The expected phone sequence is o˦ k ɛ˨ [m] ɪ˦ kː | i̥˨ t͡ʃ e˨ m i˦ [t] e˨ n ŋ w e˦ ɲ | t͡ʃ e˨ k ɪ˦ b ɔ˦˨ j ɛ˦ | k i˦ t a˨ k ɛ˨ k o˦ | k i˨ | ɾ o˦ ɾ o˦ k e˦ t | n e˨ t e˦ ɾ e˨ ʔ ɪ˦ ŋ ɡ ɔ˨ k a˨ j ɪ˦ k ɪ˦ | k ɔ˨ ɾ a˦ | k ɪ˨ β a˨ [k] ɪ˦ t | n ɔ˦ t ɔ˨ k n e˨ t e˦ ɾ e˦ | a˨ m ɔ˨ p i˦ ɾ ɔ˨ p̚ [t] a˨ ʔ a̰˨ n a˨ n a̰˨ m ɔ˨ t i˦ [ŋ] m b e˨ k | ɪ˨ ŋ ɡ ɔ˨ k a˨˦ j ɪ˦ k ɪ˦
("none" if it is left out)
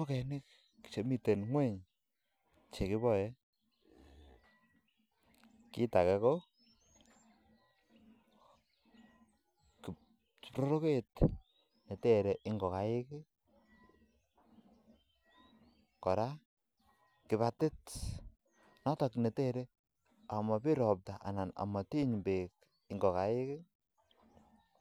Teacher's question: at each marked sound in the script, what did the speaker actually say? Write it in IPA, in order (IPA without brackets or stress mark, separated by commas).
n, t, t, t, ɲ